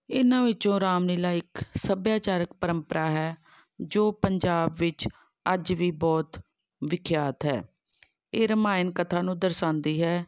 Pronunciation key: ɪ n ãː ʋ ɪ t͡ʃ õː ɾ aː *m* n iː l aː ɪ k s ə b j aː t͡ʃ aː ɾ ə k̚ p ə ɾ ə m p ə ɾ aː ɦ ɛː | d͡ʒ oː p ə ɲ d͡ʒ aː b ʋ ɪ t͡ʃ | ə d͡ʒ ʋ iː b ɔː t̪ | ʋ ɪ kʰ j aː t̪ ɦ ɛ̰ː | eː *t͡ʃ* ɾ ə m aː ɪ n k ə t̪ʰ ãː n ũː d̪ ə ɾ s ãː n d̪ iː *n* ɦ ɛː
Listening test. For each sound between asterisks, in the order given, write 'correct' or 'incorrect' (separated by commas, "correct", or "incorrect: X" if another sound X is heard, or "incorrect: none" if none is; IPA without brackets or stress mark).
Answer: correct, incorrect: none, incorrect: none